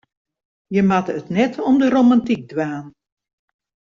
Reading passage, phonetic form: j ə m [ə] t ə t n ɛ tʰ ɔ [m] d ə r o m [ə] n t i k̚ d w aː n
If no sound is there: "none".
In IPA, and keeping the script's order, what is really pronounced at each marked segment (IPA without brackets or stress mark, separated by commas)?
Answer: a, m, a